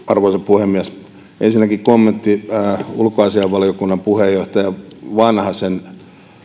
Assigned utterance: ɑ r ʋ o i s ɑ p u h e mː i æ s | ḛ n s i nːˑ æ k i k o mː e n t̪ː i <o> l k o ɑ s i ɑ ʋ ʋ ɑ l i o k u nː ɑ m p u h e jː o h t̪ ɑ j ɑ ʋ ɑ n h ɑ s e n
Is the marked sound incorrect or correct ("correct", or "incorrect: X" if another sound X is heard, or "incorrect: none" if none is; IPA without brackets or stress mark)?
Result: incorrect: u